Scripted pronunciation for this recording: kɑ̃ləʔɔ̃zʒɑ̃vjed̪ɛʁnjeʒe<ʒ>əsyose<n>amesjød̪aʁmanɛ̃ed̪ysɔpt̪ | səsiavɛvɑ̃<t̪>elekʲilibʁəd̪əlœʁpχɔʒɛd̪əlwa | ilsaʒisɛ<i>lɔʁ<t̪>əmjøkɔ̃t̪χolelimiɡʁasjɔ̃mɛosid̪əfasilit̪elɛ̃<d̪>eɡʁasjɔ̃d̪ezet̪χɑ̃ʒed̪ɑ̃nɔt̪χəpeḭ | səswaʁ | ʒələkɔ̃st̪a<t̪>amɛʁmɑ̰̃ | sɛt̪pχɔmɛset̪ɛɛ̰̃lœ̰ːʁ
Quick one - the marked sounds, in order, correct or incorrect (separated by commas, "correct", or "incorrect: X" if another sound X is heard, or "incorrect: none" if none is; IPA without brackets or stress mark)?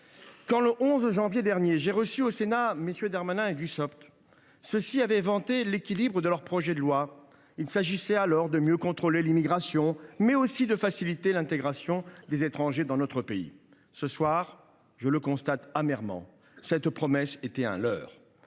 incorrect: ʁ, correct, correct, incorrect: a, incorrect: d̪, incorrect: t̪, correct